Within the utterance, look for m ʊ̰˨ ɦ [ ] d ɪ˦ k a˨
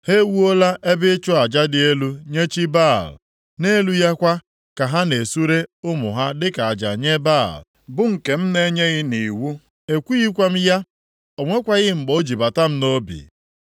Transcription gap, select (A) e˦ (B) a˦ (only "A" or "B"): B